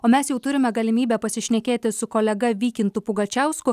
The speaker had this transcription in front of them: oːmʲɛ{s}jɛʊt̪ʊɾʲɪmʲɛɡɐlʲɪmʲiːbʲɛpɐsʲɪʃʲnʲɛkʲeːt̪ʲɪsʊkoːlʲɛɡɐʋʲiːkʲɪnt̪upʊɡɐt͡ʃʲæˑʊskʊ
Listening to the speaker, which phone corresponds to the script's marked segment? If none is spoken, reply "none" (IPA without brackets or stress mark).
s